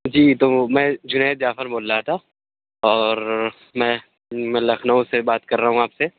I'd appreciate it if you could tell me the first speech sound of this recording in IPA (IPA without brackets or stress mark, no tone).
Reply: d͡ʒ